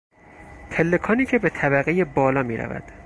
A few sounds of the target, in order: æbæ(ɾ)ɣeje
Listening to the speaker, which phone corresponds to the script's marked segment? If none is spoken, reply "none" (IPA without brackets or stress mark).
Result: none